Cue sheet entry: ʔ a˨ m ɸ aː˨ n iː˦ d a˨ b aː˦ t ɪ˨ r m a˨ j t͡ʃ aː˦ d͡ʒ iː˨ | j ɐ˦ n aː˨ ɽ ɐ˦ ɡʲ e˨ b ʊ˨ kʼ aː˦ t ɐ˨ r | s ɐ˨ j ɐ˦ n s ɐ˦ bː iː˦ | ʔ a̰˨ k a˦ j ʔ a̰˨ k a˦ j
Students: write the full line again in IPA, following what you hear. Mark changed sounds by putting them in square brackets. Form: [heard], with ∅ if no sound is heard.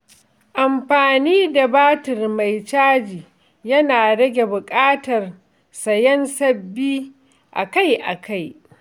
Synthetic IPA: ʔ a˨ m ɸ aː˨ n iː˦ d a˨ b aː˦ t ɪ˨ r m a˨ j t͡ʃ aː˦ d͡ʒ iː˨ | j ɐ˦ n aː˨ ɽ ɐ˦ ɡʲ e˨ b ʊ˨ kʼ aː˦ t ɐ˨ r | s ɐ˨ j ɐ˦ n s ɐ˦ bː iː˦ | ʔ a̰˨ k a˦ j ʔ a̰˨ k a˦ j